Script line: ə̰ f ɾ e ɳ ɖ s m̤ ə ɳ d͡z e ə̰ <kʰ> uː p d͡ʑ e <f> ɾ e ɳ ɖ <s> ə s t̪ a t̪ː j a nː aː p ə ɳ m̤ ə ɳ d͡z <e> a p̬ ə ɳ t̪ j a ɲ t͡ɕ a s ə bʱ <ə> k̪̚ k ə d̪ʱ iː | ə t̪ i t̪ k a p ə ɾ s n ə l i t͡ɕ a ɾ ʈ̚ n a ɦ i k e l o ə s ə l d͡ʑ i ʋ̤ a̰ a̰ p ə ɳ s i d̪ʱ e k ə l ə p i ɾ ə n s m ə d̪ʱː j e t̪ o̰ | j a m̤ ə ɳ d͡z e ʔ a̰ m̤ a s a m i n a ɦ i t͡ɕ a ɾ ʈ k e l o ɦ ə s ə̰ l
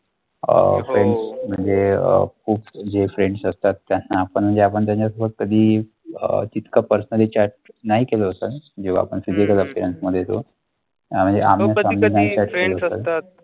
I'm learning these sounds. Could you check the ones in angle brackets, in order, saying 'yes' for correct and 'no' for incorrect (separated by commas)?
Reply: yes, yes, yes, yes, yes